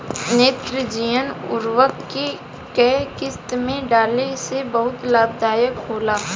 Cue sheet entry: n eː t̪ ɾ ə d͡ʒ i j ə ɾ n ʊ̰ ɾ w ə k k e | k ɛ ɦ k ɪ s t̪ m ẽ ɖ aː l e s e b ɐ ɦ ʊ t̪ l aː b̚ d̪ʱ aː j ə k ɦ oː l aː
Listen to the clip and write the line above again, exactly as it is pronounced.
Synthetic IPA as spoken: n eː t̪ ɾ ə d͡ʒ i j ə n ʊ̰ ɾ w ə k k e | k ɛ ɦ k ɪ s t̪ m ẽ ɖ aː l e s e b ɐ ɦ ʊ t̪ l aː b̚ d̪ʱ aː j ə k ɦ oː l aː